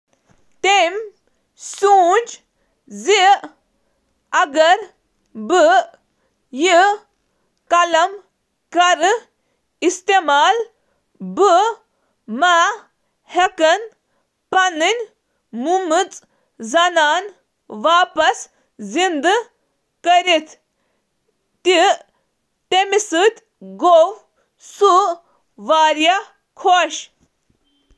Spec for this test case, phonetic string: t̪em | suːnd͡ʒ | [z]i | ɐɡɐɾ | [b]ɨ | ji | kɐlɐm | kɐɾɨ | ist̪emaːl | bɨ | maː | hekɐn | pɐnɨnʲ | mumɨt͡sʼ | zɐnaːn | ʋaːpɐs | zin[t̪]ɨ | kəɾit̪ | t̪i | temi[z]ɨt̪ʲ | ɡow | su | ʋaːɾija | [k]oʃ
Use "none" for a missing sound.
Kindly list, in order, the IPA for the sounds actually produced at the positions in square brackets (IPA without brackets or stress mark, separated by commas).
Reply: z, b, d̪, s, kʰ